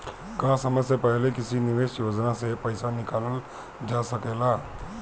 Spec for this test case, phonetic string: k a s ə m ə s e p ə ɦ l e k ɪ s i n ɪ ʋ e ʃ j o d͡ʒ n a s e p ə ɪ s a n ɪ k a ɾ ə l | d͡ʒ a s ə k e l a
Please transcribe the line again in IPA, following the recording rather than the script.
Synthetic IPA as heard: k a s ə m ə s e p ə ɦ l e k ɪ s i n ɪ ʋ e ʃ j o d͡ʒ n a s e p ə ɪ s a n ɪ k a l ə l | d͡ʒ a s ə k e l a